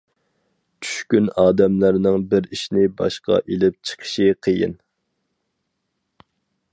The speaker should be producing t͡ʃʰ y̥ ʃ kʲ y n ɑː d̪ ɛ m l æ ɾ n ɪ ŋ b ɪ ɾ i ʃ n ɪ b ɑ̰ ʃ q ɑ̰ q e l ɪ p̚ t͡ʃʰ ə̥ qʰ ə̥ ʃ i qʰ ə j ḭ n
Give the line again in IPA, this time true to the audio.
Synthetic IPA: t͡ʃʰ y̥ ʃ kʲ y n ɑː d̪ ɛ m l æ ɾ n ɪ ŋ b ɪ ɾ i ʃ n ɪ b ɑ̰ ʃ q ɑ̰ ʔ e l ɪ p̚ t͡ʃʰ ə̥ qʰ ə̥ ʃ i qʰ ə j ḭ n